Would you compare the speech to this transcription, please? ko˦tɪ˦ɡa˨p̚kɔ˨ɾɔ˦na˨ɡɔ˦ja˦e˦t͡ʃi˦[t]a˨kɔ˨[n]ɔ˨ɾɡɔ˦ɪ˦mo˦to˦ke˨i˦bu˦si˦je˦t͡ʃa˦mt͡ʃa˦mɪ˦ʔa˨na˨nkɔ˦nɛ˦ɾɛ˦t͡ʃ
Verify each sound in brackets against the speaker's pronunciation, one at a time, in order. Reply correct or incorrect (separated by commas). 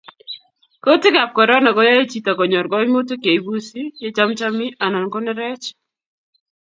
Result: correct, incorrect